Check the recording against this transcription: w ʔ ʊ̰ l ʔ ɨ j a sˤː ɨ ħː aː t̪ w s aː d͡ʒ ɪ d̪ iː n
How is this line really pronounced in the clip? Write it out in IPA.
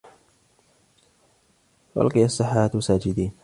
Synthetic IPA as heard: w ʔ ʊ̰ l q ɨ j a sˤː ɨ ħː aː t̪ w s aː d͡ʒ ɪ d̪ iː n